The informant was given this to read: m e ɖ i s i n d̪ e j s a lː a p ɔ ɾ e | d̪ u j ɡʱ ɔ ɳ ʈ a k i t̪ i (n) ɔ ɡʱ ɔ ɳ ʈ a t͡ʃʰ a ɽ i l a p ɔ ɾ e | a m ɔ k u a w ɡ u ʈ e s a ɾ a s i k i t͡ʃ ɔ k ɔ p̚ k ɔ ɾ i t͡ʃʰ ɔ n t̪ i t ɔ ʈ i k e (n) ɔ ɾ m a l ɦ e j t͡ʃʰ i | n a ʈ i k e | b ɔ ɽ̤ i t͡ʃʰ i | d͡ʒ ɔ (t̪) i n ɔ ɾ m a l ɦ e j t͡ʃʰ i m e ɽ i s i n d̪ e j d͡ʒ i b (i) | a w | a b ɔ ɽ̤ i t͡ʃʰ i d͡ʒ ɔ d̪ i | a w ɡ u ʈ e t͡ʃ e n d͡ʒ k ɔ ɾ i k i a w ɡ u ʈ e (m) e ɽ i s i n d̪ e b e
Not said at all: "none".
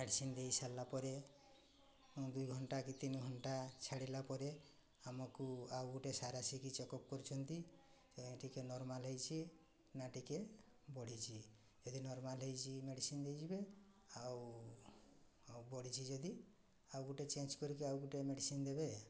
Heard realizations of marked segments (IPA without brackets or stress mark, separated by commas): n, n, d̪, e, m